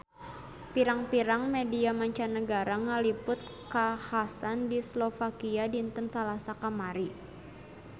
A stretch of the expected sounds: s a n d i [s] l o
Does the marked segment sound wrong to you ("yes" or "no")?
no